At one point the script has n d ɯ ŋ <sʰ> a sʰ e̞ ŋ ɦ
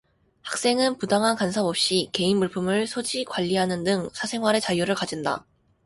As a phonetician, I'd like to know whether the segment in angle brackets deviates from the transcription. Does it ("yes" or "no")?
no